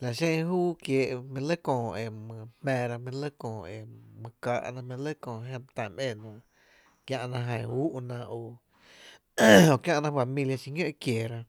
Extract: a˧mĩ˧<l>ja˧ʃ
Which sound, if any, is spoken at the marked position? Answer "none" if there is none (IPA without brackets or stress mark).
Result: l